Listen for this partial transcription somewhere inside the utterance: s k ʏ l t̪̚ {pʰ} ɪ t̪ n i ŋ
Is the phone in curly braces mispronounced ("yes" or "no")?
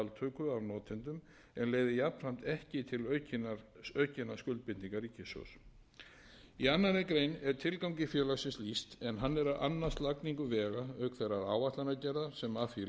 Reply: yes